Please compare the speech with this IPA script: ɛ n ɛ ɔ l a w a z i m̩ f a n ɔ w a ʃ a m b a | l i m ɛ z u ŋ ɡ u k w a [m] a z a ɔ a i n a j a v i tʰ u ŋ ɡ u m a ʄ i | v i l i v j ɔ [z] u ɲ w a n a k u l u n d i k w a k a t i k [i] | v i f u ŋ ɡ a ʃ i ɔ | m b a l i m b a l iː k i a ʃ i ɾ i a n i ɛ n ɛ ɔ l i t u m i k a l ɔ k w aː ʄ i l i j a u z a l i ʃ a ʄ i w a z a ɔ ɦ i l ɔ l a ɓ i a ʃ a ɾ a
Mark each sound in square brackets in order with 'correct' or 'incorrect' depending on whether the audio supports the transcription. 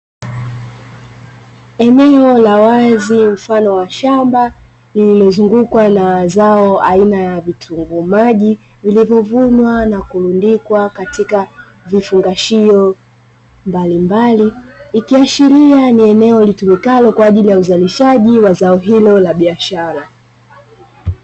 incorrect, incorrect, incorrect

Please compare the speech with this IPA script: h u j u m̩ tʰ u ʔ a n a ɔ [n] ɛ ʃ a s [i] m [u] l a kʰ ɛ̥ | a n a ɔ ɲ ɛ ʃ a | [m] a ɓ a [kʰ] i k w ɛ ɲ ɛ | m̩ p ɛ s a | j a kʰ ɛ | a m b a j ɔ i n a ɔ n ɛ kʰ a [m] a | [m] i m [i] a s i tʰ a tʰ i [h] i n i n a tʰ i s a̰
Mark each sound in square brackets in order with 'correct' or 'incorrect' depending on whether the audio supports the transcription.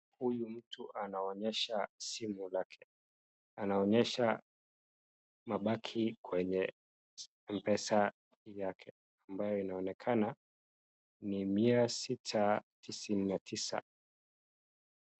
incorrect, correct, correct, correct, correct, incorrect, incorrect, correct, incorrect

